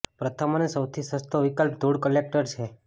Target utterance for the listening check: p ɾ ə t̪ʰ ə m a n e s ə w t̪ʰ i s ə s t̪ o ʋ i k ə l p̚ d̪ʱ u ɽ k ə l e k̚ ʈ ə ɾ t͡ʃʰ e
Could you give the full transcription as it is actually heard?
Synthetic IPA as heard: p ɾ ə t̪ʰ ə m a n e s ə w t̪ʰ i s ə s t̪ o ʋ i k ə l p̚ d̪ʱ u ɽ k ə l e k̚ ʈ ə ɾ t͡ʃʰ e